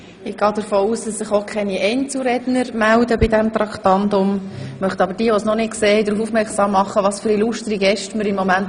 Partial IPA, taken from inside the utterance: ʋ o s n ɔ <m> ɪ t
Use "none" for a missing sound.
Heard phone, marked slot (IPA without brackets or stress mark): n